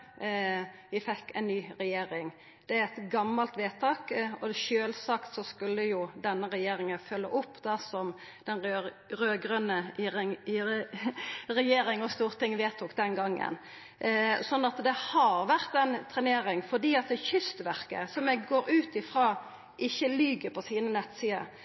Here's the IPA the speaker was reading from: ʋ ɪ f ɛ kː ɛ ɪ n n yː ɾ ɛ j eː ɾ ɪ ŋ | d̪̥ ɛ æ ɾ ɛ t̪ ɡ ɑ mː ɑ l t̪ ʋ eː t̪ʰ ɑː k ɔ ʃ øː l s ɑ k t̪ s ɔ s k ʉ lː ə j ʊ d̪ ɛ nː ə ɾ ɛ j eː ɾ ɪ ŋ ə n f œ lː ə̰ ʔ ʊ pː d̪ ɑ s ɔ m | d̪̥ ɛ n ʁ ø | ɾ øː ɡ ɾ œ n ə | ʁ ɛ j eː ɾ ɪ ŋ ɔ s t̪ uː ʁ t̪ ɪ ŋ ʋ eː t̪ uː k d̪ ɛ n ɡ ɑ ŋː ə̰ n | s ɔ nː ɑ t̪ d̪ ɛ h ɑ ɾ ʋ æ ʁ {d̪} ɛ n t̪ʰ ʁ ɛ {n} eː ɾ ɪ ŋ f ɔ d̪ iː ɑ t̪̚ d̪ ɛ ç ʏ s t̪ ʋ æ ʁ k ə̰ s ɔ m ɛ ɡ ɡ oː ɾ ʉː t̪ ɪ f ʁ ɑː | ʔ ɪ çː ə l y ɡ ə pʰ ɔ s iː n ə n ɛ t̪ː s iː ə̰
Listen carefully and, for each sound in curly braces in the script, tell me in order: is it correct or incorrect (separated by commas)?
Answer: incorrect, correct